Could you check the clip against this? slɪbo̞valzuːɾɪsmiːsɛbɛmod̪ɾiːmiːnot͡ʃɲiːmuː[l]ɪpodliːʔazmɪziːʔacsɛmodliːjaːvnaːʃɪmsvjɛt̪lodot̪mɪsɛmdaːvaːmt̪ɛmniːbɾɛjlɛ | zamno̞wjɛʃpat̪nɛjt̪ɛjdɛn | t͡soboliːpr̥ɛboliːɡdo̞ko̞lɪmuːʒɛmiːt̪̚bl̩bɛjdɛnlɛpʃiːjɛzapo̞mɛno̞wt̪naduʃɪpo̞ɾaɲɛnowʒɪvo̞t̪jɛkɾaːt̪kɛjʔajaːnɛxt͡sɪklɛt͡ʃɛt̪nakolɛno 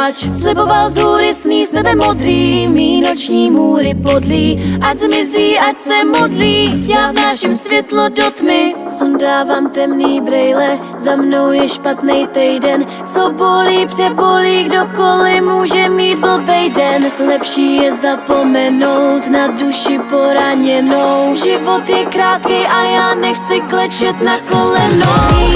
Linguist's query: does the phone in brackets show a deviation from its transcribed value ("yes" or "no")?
yes